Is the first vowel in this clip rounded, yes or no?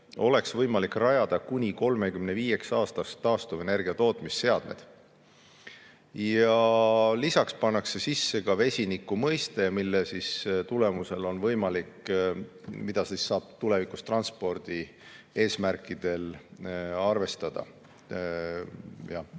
yes